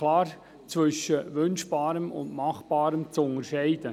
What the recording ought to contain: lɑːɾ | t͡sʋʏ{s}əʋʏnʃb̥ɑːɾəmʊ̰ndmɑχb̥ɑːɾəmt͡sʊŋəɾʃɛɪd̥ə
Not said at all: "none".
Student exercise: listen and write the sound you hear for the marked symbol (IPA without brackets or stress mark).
ʃ